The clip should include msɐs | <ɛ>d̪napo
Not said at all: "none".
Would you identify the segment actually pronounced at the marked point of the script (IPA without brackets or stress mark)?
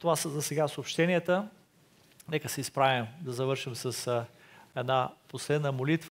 ɛ